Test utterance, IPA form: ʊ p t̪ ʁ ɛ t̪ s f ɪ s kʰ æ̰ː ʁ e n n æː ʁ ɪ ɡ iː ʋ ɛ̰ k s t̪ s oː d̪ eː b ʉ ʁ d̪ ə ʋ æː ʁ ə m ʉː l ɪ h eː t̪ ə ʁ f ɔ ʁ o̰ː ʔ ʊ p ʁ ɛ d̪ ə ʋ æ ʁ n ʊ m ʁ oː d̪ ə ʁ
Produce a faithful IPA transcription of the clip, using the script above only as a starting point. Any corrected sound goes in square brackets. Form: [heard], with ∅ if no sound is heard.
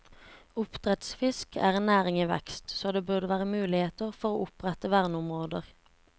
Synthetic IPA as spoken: ʊ p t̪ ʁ ɛ t̪ s f ɪ s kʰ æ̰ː ʁ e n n æː ʁ ɪ [ŋ] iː ʋ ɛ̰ k s t̪ s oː d̪ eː b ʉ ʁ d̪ ə ʋ æː ʁ ə m ʉː l ɪ h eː t̪ ə ʁ f ɔ ʁ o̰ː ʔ ʊ p ʁ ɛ [t̪] ə ʋ æ ʁ n ʊ m ʁ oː d̪ ə ʁ